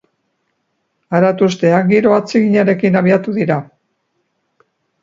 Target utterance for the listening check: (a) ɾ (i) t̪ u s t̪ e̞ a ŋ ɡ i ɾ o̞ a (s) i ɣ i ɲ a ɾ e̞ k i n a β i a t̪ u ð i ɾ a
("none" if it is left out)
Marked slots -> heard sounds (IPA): a, a, t͡s

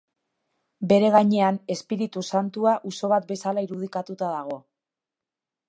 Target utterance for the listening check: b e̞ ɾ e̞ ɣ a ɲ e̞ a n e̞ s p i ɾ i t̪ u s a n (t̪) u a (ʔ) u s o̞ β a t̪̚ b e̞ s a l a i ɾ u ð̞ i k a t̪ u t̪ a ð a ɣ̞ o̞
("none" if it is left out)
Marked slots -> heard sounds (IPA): t̪, ʔ

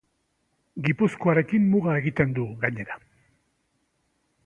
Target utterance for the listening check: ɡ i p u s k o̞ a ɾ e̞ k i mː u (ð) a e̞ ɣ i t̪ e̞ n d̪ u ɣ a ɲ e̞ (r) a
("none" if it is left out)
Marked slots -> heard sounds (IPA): ɣ, ɾ

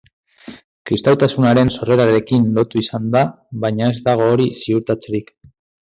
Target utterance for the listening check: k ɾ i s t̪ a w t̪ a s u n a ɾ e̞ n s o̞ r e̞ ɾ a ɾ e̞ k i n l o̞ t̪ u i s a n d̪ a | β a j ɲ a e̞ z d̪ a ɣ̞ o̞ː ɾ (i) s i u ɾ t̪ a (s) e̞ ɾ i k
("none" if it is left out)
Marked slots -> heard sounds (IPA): i, t͡s

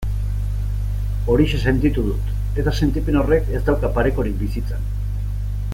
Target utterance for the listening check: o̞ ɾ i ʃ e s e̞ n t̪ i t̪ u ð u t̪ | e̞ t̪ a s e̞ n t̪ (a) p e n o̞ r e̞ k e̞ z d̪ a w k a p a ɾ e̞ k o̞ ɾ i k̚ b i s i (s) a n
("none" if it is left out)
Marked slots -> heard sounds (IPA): i, t͡s

